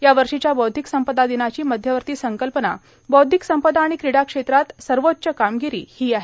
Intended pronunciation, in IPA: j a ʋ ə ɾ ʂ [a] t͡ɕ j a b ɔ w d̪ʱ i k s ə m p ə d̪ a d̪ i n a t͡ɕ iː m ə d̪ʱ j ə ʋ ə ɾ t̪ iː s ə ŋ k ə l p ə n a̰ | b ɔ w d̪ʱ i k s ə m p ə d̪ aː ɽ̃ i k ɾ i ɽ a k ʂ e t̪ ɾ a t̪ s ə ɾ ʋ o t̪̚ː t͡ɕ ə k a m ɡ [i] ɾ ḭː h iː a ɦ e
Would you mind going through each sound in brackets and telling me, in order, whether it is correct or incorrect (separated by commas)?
incorrect, correct